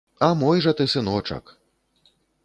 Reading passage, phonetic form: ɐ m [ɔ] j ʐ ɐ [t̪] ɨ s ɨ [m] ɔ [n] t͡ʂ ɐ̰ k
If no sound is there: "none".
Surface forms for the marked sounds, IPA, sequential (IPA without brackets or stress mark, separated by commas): ɔ, t̪, n, none